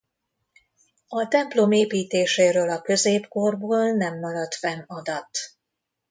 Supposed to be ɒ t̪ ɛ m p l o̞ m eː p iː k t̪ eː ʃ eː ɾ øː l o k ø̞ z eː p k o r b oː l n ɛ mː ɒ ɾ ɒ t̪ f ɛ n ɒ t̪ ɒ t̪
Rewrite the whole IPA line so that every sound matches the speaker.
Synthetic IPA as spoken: ɒ t̪ ɛ m p l o̞ m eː p iː t̪ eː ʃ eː ɾ øː l ɒ k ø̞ z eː p k o r b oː l n ɛ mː ɒ ɾ ɒ t̪ f ɛ n ɒ d̪ ɒ t̪